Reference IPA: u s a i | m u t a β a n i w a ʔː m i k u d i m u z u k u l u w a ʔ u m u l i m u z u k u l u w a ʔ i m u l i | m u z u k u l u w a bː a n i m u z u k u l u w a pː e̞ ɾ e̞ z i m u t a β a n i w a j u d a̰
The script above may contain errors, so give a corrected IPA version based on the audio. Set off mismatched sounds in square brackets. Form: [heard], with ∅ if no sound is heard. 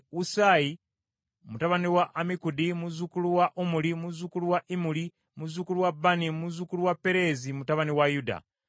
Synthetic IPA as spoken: u s a i | m u t a β a n i w a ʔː m i k u d i m u z u k u l u w a ʔ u m u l i m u z u k u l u w a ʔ i m u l i | m u z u k u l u w a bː a n i m u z u k u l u w a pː e̞ ɾ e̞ z i m u t a β a n i w a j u d a̰